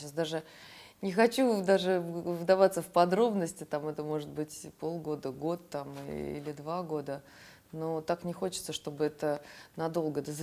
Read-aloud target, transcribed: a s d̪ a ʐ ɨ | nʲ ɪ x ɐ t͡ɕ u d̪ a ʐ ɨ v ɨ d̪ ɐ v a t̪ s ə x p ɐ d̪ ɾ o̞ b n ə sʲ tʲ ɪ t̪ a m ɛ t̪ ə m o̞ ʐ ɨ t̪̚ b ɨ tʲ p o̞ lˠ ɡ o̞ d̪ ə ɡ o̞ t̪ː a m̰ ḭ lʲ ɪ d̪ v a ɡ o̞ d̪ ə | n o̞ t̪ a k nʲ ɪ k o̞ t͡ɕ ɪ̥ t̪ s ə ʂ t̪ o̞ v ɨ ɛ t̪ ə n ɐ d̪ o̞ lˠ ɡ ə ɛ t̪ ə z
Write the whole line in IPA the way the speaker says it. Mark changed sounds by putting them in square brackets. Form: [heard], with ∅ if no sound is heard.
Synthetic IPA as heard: a s d̪ a ʐ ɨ | nʲ ɪ x ɐ t͡ɕ u d̪ a ʐ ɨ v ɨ d̪ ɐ v a t̪ s ə [f] p ɐ d̪ ɾ o̞ b n ə sʲ tʲ ɪ t̪ a m ɛ t̪ ə m o̞ ʐ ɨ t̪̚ b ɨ tʲ p o̞ lˠ ɡ o̞ d̪ ə ɡ o̞ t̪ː a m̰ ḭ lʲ ɪ d̪ v a ɡ o̞ d̪ ə | n o̞ t̪ a k nʲ ɪ [x] o̞ t͡ɕ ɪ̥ t̪ s ə ʂ t̪ o̞ [b] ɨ ɛ t̪ ə n ɐ d̪ o̞ lˠ ɡ ə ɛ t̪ ə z